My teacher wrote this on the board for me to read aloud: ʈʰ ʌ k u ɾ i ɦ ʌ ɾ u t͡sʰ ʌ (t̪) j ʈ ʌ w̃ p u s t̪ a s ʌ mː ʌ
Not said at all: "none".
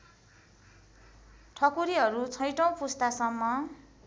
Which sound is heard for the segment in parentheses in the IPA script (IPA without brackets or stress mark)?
none